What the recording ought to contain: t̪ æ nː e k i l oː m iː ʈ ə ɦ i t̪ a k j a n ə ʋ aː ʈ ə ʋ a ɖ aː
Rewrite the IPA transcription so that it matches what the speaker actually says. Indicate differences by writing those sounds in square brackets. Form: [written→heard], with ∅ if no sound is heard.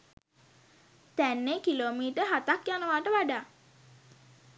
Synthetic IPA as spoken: t̪ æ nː e k i l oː m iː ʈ ə ɦ [i→a] t̪ a k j a n ə ʋ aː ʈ ə ʋ a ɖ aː

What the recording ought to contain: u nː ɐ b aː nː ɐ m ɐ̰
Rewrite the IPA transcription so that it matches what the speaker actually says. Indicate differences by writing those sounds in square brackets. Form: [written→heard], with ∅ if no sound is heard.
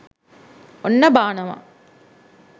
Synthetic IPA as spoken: [u→o] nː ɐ b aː [nː→n] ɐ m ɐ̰

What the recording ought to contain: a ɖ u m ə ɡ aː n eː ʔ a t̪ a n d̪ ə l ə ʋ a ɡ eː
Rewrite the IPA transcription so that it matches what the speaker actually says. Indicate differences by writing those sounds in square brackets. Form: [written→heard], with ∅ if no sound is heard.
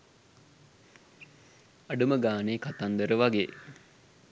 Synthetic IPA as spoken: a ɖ u m ə ɡ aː n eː [ʔ→k] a t̪ a n d̪ ə [l→ɾ] ə ʋ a ɡ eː

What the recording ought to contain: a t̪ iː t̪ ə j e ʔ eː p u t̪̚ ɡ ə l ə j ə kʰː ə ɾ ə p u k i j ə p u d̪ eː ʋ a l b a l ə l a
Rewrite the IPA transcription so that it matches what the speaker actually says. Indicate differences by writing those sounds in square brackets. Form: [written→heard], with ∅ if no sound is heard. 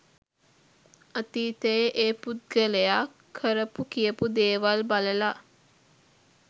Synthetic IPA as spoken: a t̪ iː t̪ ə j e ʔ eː p u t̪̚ ɡ ə l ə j [ə→a] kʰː ə ɾ ə p u k i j ə p u d̪ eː ʋ a l b a l ə l a

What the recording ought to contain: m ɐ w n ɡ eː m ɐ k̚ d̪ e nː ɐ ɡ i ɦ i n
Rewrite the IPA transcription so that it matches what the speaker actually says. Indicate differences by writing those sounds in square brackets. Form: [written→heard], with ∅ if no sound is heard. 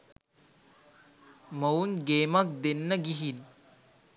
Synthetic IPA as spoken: m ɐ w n ɡ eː m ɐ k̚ d̪ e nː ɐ ɡ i ɦ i n

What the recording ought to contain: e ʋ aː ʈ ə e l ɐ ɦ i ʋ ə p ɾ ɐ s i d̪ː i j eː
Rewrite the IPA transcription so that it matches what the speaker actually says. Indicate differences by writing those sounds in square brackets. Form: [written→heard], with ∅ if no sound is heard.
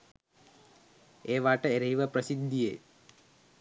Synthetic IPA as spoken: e ʋ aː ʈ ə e [l→ɾ] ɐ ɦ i ʋ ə p ɾ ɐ s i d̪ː i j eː

